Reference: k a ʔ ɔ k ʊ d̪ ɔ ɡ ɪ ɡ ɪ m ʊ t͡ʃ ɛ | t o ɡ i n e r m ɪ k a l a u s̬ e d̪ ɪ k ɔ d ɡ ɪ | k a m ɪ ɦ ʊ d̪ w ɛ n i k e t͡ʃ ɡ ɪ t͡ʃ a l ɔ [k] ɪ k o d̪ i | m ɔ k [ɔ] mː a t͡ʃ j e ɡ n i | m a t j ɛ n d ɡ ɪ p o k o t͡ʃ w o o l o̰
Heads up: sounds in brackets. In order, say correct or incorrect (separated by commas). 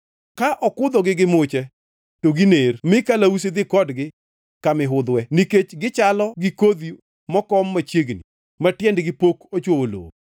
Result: incorrect, correct